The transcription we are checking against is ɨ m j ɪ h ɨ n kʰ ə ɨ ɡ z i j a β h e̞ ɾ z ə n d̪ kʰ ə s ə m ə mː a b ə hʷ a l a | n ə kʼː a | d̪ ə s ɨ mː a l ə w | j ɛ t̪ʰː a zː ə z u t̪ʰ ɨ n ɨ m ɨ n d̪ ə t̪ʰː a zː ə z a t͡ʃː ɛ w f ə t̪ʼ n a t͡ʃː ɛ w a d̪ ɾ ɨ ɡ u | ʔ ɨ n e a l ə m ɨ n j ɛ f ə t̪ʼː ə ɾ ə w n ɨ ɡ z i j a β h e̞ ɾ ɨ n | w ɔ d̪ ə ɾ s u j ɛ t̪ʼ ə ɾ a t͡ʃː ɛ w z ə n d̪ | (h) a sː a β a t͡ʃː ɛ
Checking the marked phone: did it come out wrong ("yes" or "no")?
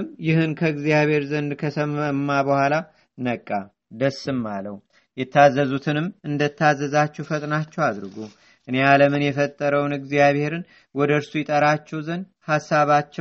no